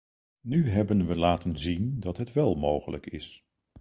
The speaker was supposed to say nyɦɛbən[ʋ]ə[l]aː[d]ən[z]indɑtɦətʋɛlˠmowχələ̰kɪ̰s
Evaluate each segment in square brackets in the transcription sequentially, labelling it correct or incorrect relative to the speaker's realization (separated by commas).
correct, correct, incorrect, correct